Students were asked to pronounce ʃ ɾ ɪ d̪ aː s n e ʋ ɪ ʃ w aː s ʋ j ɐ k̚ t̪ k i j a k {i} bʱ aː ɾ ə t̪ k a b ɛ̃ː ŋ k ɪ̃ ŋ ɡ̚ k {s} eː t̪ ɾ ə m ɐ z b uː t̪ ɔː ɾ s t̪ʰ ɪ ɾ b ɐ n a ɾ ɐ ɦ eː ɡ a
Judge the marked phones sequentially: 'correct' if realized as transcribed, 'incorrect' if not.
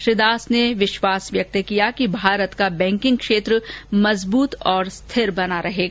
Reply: correct, incorrect

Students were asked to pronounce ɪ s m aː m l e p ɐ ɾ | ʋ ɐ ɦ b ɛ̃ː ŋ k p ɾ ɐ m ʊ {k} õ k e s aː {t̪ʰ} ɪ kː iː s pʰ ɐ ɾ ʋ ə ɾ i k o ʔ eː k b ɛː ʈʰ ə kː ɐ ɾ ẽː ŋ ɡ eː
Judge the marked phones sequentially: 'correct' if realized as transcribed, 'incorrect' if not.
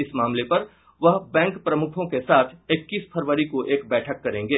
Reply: incorrect, correct

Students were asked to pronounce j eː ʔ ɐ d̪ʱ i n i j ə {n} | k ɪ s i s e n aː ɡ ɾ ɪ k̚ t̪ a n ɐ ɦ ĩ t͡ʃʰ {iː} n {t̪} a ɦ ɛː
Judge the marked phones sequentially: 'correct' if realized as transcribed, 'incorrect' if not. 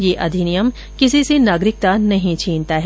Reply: incorrect, correct, correct

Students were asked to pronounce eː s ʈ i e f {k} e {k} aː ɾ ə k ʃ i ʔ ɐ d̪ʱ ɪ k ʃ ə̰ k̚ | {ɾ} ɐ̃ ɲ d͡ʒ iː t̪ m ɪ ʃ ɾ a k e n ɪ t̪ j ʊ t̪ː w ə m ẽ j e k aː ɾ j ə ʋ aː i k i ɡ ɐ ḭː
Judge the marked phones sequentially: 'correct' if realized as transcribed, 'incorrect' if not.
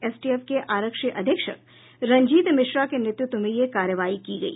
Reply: correct, incorrect, correct

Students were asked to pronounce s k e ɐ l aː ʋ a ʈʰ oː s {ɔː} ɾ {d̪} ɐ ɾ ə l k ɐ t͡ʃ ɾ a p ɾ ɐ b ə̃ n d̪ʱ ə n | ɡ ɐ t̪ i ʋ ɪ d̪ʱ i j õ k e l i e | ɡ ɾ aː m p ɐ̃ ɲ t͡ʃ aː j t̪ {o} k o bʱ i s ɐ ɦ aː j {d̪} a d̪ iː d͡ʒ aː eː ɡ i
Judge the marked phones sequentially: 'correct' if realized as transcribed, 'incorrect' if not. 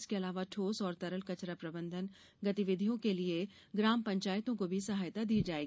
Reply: correct, incorrect, incorrect, incorrect

